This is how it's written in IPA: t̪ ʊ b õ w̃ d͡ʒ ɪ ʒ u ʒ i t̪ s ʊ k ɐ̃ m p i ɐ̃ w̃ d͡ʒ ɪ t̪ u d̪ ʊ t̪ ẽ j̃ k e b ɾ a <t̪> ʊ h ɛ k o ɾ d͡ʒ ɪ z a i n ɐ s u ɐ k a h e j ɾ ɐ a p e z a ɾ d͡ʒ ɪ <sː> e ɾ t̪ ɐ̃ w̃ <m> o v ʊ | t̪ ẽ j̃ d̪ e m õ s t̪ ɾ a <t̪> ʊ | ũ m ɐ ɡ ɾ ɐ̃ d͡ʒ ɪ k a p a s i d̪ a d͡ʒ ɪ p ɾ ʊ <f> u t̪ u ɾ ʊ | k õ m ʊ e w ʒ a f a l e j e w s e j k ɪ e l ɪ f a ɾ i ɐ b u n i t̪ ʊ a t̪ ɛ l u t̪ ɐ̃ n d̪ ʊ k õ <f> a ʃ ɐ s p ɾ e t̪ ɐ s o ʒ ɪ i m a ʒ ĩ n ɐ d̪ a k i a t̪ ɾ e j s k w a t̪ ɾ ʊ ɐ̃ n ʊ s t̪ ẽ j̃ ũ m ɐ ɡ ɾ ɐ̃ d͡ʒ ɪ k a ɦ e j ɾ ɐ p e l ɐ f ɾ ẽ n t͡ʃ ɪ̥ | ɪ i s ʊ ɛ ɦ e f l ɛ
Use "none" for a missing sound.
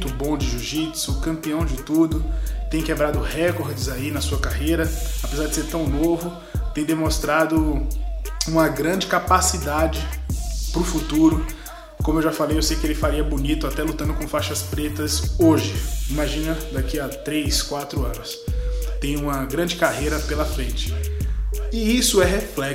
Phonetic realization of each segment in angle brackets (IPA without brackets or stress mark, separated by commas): d̪, s, n, d̪, f, f